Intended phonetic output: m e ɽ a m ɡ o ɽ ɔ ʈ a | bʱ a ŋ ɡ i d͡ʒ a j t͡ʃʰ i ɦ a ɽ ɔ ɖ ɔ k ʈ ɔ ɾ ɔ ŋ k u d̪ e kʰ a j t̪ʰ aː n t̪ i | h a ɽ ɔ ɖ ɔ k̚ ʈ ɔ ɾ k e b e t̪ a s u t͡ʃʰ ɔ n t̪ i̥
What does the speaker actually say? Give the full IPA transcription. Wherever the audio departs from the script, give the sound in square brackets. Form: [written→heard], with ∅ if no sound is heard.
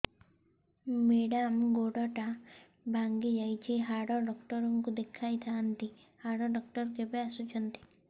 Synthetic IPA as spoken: m e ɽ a m ɡ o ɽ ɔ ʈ a | bʱ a ŋ ɡ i d͡ʒ a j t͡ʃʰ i ɦ a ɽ ɔ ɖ ɔ k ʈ ɔ ɾ ɔ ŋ k u d̪ e kʰ a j t̪ʰ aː n t̪ i | h a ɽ ɔ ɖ ɔ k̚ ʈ ɔ ɾ k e b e [t̪→∅] a s u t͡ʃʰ ɔ n t̪ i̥

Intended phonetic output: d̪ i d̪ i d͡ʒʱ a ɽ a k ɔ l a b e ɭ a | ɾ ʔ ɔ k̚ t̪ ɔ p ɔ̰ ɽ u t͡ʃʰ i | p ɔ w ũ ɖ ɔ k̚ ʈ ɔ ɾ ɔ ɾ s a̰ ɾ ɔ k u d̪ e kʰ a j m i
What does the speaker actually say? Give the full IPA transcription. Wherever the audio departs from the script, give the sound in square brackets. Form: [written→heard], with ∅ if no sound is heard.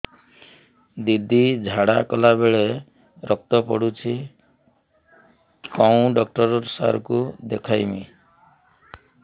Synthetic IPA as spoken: d̪ i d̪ i d͡ʒʱ a ɽ a k ɔ l a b e ɭ [a→e] | ɾ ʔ ɔ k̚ t̪ ɔ p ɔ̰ ɽ u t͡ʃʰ i | [p→k] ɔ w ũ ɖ ɔ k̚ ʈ ɔ ɾ ɔ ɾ s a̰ ɾ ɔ k u d̪ e kʰ a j m i

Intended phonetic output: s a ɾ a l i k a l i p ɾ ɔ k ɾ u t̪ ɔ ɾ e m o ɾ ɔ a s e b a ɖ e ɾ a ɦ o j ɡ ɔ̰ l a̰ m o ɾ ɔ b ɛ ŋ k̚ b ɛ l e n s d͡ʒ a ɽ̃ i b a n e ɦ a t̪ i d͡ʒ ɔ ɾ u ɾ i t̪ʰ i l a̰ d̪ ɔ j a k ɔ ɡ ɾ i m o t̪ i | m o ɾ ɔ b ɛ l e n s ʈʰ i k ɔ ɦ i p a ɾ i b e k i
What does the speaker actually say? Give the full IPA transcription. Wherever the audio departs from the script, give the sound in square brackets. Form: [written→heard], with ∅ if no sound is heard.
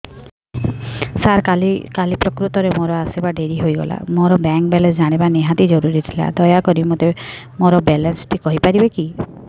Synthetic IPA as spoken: s a ɾ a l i k a l i p ɾ ɔ k ɾ u t̪ ɔ ɾ e m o ɾ ɔ a s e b a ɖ e ɾ [a→i] ɦ o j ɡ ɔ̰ l a̰ m o ɾ ɔ b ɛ ŋ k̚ b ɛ l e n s d͡ʒ a ɽ̃ i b a n e ɦ a t̪ i d͡ʒ ɔ ɾ u ɾ i t̪ʰ i l a̰ d̪ ɔ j a k ɔ [ɡ→∅] ɾ i m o t̪ [i→e] | m o ɾ ɔ b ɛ l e n s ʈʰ i k ɔ ɦ i p a ɾ i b e k i

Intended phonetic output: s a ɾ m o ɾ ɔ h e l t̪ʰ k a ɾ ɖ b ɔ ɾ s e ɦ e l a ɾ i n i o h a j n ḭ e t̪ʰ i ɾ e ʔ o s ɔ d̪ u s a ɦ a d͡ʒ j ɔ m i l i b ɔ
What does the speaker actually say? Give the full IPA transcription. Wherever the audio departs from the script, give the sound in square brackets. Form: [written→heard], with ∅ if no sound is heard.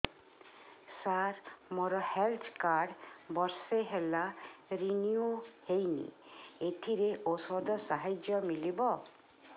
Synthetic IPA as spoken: s a ɾ m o ɾ ɔ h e l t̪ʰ k a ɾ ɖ b ɔ ɾ s e ɦ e l a ɾ i n i o h [a→e] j n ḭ e t̪ʰ i ɾ e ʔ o s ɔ d̪ [u→ɔ] s a ɦ a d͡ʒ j ɔ m i l i b ɔ

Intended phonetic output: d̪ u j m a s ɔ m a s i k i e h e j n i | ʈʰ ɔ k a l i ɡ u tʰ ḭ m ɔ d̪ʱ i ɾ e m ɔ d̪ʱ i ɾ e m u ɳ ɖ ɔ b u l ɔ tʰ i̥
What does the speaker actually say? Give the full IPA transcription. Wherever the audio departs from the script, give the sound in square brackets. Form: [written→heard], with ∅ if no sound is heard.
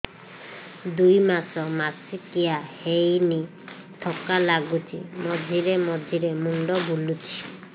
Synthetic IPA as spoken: d̪ u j m a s ɔ m a s i k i [e→a] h e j n i | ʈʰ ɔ k a l [i→a] ɡ u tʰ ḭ m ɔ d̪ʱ i ɾ e m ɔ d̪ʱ i ɾ e m u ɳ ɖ ɔ b u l [ɔ→u] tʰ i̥

